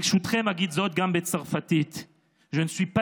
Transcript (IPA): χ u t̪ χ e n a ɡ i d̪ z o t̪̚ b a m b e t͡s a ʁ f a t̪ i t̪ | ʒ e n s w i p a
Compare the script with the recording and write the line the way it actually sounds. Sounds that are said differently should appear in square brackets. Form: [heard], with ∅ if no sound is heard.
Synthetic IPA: [ʃ] u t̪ χ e [m] a ɡ i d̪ z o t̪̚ [ɡ] a m b e t͡s a ʁ f a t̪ i t̪ | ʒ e n s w i p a